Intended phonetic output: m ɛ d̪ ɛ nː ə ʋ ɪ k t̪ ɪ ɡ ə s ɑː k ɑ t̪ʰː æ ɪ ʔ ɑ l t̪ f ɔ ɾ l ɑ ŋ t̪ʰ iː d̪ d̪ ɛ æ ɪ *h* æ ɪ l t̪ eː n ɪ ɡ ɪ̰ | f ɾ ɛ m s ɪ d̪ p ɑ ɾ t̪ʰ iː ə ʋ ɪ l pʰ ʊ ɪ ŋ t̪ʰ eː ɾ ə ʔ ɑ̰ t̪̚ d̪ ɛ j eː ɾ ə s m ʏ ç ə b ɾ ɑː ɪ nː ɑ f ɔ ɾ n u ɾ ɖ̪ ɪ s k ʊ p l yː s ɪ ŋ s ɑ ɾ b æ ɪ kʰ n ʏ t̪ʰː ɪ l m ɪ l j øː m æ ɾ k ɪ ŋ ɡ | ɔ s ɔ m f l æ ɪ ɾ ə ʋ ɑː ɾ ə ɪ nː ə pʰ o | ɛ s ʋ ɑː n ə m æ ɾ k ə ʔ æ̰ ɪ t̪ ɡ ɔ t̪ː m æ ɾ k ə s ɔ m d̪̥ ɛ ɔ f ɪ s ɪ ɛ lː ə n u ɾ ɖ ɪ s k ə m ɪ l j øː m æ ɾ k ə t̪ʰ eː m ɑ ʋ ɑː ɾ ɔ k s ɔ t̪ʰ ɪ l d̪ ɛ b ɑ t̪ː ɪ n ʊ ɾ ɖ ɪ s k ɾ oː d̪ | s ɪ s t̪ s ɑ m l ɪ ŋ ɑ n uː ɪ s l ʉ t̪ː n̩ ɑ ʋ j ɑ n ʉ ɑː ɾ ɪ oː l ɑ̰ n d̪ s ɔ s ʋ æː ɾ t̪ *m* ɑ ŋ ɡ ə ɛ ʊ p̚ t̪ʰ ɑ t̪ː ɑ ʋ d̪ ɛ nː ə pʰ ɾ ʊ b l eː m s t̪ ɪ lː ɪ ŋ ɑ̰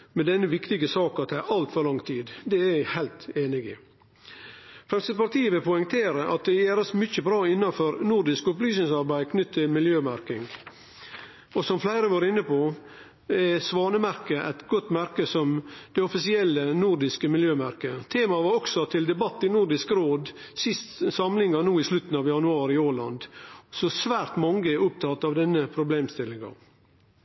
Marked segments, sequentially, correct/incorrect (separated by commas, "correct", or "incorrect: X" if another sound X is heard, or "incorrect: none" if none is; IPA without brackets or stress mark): correct, correct